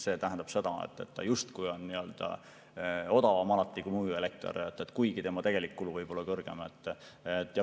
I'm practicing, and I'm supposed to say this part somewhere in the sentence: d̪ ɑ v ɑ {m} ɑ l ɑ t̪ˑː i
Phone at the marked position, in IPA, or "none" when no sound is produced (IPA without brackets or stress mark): m